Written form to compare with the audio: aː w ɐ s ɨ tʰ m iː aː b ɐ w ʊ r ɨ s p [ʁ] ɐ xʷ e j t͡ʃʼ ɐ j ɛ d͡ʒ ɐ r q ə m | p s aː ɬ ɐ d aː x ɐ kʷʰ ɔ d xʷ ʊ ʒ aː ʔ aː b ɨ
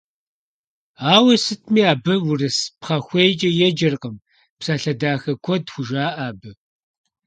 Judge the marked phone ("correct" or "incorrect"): incorrect